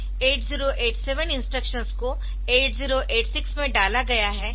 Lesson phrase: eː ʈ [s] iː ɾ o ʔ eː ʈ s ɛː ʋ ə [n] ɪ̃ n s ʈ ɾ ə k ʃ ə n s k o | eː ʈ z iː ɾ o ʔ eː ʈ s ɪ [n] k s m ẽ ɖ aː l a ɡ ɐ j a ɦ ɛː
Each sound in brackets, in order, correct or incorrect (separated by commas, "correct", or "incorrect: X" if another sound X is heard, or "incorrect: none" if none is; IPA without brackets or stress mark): incorrect: z, correct, incorrect: none